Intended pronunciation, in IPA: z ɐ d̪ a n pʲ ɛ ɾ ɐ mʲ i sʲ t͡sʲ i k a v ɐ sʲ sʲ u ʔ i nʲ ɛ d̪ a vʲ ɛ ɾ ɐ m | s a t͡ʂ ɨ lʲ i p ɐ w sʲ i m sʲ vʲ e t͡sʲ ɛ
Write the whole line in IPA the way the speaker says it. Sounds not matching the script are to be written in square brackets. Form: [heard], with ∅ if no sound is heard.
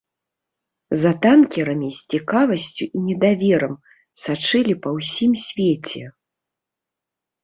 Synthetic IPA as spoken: z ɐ [t̪] a n [kʲ] ɛ ɾ ɐ mʲ i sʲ t͡sʲ i k a v ɐ sʲ [t͡sʲ] u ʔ i nʲ ɛ d̪ a vʲ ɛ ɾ ɐ m | s a t͡ʂ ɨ lʲ i p ɐ w sʲ i m sʲ vʲ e t͡sʲ ɛ

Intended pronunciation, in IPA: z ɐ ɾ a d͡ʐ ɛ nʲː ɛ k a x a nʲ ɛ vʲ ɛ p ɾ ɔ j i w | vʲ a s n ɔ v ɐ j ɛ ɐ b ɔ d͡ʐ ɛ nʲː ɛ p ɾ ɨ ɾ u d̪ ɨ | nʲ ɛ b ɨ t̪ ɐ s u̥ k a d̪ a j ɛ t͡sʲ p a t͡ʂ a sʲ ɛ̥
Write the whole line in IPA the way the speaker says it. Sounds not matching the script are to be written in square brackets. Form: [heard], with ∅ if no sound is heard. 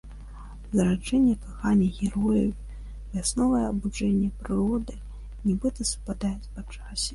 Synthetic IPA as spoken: z ɐ ɾ a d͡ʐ ɛ nʲː ɛ k a x a nʲ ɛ [ɣʲ] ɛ [∅] ɾ ɔ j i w | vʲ a s n ɔ v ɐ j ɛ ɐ b [u] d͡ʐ ɛ nʲː ɛ p ɾ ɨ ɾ [ɔ] d̪ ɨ | nʲ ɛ b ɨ t̪ ɐ s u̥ [p] a d̪ a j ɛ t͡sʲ p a t͡ʂ a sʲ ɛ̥

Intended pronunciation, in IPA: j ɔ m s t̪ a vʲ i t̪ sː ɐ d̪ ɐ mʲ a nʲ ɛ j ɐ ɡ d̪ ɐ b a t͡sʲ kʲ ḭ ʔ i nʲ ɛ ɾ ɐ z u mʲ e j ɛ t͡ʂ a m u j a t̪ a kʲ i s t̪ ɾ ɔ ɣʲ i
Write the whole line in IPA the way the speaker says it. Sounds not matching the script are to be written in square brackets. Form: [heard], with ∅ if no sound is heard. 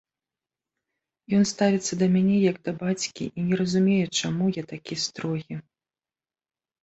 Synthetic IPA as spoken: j ɔ [n] s t̪ a vʲ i t̪ sː ɐ d̪ ɐ mʲ a nʲ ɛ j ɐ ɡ d̪ ɐ b a t͡sʲ kʲ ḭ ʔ i nʲ ɛ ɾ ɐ z u mʲ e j ɛ t͡ʂ a m u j a t̪ a kʲ i s t̪ ɾ ɔ ɣʲ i

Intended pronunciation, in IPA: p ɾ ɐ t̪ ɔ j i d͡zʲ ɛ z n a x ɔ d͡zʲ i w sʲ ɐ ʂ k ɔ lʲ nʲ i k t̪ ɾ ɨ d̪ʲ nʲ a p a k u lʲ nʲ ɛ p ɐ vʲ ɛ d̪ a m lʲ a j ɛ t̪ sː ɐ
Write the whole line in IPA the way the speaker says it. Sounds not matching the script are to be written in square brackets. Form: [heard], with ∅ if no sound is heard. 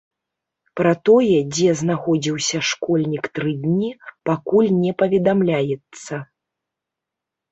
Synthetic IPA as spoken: p ɾ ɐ t̪ ɔ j [ɛ] d͡zʲ ɛ z n a x ɔ d͡zʲ i w sʲ ɐ ʂ k ɔ lʲ nʲ i k t̪ ɾ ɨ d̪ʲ nʲ [i] p a k u lʲ nʲ ɛ p ɐ vʲ ɛ d̪ a m lʲ a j ɛ t̪ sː ɐ

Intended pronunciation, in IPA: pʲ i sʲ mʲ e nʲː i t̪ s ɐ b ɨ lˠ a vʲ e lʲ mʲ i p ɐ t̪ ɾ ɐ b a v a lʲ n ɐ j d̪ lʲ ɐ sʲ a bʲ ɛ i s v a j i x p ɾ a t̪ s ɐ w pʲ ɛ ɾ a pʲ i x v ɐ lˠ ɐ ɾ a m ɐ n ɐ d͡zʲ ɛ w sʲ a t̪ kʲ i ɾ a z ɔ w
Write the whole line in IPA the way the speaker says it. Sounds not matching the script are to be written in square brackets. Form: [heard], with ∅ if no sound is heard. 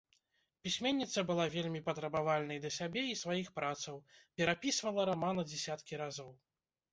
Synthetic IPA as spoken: pʲ i sʲ mʲ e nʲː i t̪ s ɐ b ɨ lˠ a vʲ e lʲ mʲ i p ɐ t̪ ɾ ɐ b a v a lʲ n ɐ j d̪ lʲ ɐ sʲ a bʲ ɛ i s v a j i x p ɾ a t̪ s ɐ w pʲ ɛ ɾ a pʲ i [s] v ɐ lˠ ɐ ɾ a m [a] n ɐ d͡zʲ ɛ [∅] sʲ a t̪ kʲ i ɾ a z ɔ w

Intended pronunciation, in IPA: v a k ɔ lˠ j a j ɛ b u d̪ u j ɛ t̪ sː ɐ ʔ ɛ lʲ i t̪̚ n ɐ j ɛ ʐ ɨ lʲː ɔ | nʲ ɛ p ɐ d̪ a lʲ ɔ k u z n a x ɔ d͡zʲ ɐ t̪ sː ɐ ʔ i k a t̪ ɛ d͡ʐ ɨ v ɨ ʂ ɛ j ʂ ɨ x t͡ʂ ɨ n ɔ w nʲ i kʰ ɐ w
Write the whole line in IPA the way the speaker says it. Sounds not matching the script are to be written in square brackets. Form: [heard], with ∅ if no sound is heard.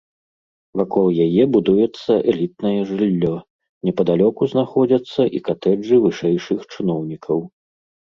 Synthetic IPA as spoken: v a k ɔ lˠ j a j ɛ b u d̪ u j ɛ t̪ sː ɐ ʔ ɛ lʲ i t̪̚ n ɐ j ɛ ʐ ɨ lʲː ɔ | nʲ ɛ p ɐ d̪ a lʲ ɔ k u z n a x ɔ d͡zʲ ɐ t̪ sː ɐ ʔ i k a t̪ ɛ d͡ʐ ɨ v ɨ ʂ ɛ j ʂ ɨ x t͡ʂ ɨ n ɔ w nʲ i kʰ ɐ w

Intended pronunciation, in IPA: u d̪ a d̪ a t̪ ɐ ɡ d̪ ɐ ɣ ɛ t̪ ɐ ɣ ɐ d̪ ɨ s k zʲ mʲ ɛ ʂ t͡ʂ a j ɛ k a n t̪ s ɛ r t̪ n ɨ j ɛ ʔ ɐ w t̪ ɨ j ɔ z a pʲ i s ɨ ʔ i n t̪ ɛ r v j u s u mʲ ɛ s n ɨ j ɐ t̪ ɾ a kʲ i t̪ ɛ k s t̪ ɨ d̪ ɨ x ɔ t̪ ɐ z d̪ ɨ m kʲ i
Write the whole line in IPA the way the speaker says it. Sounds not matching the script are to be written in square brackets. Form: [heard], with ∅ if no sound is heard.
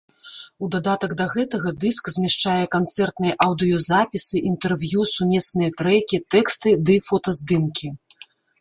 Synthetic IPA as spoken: u d̪ a d̪ a t̪ ɐ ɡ d̪ ɐ ɣ ɛ t̪ ɐ ɣ ɐ d̪ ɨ s k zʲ mʲ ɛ ʂ t͡ʂ a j ɛ k a n t̪ s ɛ r t̪ n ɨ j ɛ ʔ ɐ w [d̪] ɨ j ɔ z a pʲ i s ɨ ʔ i n t̪ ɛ r v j u s u mʲ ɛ s n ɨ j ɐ t̪ ɾ [ɛ] kʲ i t̪ ɛ k s t̪ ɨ d̪ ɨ [f] ɔ t̪ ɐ z d̪ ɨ m kʲ i

